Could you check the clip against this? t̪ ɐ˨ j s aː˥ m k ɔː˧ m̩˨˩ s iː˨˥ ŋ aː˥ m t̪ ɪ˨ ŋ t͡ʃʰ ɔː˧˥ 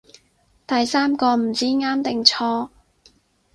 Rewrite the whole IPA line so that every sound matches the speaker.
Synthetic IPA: t̪ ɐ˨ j s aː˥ m k ɔː˧ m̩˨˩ t͡s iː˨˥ ŋ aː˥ m t̪ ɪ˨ ŋ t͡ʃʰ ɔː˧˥